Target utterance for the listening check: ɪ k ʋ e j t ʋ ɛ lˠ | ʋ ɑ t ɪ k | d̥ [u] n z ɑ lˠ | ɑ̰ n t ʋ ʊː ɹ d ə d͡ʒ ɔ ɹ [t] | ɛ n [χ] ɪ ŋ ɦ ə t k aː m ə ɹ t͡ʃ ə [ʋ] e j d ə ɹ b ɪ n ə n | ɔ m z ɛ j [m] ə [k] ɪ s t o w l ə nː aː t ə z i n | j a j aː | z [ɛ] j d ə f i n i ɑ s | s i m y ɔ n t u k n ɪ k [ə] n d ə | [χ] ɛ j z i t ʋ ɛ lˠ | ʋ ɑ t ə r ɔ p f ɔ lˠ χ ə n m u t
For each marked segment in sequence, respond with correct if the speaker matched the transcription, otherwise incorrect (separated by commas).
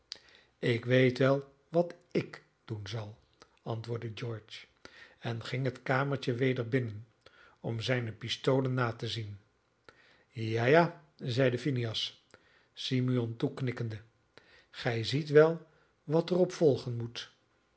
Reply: correct, incorrect, correct, correct, incorrect, incorrect, correct, correct, correct